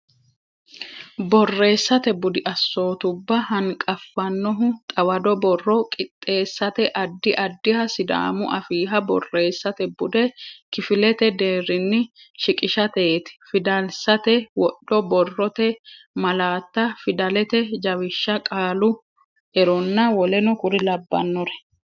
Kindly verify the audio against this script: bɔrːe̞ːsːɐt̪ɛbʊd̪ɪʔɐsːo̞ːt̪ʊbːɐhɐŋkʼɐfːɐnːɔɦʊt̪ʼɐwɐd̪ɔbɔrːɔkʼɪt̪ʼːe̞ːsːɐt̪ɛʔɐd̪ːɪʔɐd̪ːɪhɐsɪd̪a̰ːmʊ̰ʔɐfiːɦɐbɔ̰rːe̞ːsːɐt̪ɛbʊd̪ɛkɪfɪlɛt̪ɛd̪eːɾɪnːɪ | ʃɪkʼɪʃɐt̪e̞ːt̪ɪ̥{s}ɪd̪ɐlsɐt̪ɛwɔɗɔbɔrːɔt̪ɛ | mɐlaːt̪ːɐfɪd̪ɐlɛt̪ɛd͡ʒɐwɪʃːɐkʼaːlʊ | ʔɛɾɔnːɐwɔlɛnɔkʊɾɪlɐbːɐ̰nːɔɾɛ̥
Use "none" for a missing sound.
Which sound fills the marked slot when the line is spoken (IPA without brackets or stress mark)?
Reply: f